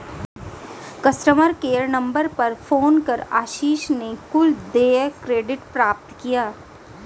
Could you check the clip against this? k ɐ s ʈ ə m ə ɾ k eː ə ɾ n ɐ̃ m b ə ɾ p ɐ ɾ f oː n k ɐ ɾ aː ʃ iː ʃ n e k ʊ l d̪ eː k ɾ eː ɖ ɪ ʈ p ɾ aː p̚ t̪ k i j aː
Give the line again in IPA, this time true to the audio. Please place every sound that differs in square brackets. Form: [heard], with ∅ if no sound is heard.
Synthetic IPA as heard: k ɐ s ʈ ə m ə ɾ k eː ə ɾ n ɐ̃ m b ə ɾ p ɐ ɾ f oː n k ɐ ɾ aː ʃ iː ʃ n e k ʊ l d̪ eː k ɾ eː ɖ ɪ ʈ p ɾ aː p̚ t̪ k i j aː

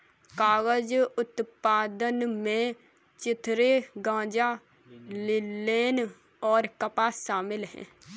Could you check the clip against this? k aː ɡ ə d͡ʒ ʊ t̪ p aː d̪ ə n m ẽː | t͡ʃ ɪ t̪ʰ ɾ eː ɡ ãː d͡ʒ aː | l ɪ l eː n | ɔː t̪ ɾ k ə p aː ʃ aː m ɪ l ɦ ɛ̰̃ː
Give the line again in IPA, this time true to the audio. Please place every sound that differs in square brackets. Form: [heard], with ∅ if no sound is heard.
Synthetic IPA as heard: k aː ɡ ə d͡ʒ ʊ t̪ p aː d̪ ə n m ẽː | t͡ʃ ɪ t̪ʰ ɾ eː ɡ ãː d͡ʒ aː | l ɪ l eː n | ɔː [∅] ɾ k ə p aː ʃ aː m ɪ l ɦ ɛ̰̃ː

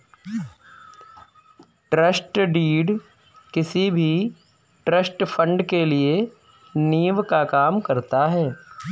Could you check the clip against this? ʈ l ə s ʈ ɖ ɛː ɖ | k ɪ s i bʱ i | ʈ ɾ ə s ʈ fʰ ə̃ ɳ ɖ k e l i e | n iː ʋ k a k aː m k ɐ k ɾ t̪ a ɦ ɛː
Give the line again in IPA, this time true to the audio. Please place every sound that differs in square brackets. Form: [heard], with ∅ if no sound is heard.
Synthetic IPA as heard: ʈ [ɾ] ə s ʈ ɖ [iː] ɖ | k ɪ s i bʱ i | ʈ ɾ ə s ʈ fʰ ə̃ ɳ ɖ k e l i e | n iː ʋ k a k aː m k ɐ [∅] ɾ t̪ a ɦ ɛː

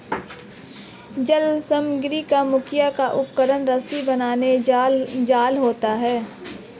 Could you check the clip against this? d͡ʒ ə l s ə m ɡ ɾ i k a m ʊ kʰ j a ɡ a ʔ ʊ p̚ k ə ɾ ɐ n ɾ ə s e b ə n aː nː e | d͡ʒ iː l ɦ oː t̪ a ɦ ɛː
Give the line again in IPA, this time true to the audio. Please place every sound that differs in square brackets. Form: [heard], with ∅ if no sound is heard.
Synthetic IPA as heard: d͡ʒ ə l s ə m ɡ ɾ i k a m ʊ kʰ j a [k] a ʔ ʊ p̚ k ə ɾ [ə] n ɾ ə s [i] b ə n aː [n] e | d͡ʒ [aː] l ɦ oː t̪ a ɦ ɛː

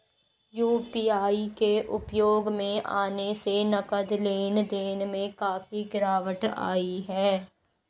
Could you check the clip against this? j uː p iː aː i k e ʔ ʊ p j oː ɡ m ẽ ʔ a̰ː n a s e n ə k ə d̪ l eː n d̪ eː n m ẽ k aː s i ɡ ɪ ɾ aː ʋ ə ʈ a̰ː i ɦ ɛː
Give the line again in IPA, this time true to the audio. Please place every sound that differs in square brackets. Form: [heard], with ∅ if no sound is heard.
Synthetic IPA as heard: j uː p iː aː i k e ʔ ʊ p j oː ɡ m ẽ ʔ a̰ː n [e] s e n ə k ə d̪ l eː n d̪ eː n m ẽ k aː [f] i ɡ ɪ ɾ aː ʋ ə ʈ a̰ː i ɦ ɛː

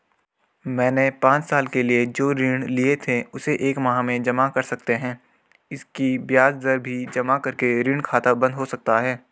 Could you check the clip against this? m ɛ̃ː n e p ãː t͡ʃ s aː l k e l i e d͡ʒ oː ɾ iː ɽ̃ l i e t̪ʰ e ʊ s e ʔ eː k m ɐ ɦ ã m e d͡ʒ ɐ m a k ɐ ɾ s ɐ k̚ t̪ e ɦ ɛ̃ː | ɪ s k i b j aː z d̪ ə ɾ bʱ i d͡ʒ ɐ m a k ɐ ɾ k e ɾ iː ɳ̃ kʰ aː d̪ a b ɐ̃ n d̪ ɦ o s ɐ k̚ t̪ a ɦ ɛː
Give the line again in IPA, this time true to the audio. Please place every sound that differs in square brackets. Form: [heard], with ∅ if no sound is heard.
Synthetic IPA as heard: m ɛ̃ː n e p ãː t͡ʃ s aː l k e l i e d͡ʒ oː ɾ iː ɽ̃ l i e t̪ʰ e ʊ s e ʔ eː k m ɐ ɦ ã m [ẽ] d͡ʒ ɐ m a k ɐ ɾ s ɐ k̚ t̪ e ɦ ɛ̃ː | ɪ s k i b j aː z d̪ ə ɾ bʱ i d͡ʒ ɐ m a k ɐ ɾ k e ɾ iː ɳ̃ kʰ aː [t̪] a b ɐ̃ n d̪ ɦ o s ɐ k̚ t̪ a ɦ ɛː

